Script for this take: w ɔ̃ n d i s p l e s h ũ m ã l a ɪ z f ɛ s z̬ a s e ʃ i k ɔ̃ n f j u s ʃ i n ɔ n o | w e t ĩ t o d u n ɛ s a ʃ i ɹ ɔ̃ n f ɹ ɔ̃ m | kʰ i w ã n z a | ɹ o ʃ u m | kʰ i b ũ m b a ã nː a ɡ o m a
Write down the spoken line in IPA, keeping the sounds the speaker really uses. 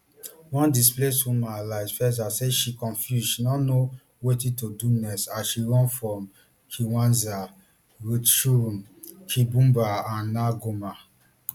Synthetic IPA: w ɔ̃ n d i s p l e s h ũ m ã l a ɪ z f ɛ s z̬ a s e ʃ i k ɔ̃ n f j u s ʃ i n ɔ n o | w e t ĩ t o d u n ɛ s a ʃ i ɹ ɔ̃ n f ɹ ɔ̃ m | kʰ i w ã n z a | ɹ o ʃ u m | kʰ i b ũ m b a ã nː a ɡ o m a